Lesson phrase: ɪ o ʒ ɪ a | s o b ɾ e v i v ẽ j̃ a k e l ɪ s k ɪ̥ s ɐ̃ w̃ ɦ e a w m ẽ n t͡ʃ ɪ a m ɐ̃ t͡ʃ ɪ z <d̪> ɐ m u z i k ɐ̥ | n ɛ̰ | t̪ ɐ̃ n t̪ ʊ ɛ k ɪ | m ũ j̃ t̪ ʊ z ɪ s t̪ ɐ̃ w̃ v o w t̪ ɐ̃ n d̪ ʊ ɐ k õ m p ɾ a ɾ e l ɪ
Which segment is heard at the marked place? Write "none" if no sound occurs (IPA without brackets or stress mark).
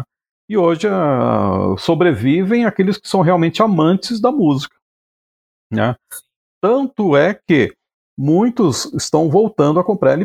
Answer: d̪